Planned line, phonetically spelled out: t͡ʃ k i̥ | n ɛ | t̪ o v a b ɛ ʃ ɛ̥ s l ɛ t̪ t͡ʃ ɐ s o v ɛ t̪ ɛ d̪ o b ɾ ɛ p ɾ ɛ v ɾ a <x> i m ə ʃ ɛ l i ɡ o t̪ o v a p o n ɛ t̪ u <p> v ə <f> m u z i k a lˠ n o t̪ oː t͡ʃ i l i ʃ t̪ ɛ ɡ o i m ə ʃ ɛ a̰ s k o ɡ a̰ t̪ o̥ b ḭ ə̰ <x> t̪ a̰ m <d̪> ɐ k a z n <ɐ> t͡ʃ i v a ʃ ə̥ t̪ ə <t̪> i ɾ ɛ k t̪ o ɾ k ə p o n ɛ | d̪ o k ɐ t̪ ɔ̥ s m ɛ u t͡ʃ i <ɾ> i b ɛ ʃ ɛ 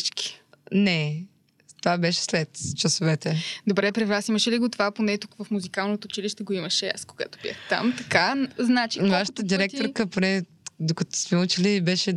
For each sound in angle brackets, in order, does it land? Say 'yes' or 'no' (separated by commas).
no, no, yes, yes, no, no, no, no